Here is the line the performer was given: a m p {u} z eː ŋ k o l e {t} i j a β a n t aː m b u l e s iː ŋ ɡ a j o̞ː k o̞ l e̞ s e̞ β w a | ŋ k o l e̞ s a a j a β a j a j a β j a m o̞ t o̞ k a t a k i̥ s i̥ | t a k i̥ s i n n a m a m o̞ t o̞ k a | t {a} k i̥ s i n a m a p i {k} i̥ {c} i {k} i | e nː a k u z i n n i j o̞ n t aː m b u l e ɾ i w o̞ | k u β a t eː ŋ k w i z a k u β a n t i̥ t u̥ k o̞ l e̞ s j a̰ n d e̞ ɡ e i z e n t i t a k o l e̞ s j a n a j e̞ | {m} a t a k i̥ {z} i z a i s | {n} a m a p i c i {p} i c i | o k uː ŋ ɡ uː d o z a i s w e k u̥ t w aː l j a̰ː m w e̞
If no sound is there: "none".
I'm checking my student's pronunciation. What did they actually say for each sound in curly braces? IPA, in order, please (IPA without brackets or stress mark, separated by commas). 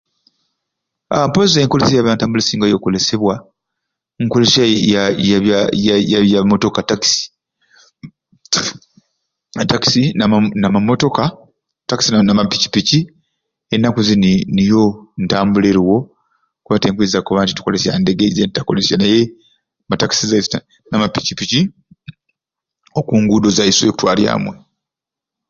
o, s, a, c, p, c, m, s, n, p